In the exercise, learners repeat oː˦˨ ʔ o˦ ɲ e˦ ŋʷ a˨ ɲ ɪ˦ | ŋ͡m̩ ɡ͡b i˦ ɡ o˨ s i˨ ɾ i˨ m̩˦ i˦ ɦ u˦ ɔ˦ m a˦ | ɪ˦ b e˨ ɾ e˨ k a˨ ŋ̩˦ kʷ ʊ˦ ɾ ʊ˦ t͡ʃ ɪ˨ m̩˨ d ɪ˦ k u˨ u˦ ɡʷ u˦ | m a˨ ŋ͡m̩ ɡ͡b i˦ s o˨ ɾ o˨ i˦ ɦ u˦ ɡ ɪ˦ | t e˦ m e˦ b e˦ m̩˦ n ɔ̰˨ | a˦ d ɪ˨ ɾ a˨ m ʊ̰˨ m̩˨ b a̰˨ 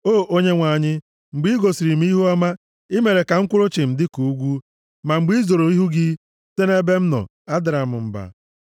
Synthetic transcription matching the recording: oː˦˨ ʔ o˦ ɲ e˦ ŋʷ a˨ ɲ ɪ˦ | ŋ͡m̩ ɡ͡b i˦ ɡ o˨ s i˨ ɾ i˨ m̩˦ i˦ ɦ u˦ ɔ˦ m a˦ | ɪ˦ m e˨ ɾ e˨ k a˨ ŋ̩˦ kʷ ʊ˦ ɾ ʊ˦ t͡ʃ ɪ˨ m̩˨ d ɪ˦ k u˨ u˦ ɡʷ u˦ | m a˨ ŋ͡m̩ ɡ͡b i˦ z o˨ ɾ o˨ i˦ ɦ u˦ ɡ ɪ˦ | t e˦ n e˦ b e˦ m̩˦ n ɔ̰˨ | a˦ d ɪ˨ ɾ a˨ m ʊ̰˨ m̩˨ b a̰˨